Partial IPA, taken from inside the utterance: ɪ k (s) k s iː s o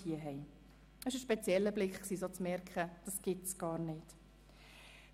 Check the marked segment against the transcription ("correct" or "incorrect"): incorrect